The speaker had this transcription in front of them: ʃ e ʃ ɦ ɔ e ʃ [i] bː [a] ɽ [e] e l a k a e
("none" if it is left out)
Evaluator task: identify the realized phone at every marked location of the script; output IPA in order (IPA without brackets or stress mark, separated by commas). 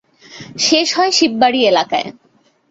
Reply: i, a, i